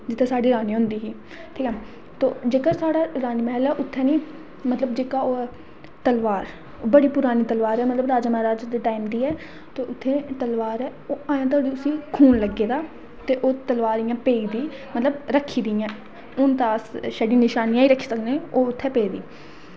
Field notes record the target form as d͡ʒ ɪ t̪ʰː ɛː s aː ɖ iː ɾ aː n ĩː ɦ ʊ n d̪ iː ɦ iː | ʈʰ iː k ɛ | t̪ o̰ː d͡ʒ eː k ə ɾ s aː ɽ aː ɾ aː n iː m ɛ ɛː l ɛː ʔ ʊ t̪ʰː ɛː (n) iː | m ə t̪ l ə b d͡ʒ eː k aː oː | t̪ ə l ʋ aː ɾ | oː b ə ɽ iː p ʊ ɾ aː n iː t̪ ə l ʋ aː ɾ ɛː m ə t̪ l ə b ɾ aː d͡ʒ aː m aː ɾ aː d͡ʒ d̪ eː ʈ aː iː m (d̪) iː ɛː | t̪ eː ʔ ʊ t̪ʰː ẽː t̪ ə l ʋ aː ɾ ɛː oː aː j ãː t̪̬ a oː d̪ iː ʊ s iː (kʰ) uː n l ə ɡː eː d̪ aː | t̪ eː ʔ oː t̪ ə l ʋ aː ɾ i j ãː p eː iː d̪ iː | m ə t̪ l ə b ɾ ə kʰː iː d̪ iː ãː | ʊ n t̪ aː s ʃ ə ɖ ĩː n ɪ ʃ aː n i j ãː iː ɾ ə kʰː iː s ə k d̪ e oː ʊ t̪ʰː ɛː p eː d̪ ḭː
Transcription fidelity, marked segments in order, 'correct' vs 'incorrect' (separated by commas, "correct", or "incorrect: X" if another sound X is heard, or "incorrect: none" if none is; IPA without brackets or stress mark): correct, correct, correct